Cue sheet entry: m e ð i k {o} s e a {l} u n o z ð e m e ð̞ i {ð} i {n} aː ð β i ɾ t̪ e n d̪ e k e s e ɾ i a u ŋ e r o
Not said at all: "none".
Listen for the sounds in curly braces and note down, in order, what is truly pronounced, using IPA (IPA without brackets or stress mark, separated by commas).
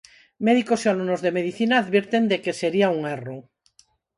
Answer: o, l, θ, n